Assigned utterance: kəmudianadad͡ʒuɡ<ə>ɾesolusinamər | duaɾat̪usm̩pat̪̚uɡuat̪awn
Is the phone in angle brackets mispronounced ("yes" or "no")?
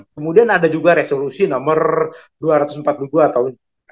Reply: yes